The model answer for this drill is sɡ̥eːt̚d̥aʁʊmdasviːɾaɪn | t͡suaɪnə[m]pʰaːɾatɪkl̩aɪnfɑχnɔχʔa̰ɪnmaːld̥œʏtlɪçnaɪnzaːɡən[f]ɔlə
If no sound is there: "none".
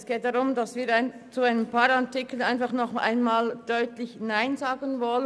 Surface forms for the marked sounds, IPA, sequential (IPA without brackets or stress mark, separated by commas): m, v